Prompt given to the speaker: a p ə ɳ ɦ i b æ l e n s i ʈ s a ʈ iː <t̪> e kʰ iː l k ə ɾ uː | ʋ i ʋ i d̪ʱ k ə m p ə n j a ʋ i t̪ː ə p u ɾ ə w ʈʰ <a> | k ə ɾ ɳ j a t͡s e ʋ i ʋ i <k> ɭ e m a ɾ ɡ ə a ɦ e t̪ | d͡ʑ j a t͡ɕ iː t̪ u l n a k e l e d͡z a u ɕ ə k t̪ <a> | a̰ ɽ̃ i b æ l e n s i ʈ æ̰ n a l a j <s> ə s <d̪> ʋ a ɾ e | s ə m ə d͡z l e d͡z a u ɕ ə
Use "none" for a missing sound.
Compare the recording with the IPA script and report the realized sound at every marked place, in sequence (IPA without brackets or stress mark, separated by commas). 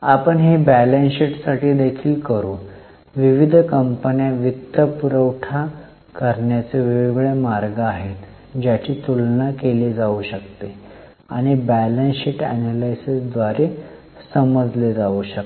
d̪, a, ɡ, e, s, d̪